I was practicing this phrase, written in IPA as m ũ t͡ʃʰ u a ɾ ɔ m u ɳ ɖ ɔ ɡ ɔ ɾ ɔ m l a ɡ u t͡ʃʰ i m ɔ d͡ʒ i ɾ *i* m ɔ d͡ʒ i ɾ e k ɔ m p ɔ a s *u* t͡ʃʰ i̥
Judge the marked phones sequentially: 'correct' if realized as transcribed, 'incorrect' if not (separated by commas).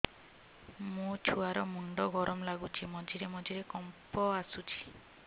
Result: incorrect, correct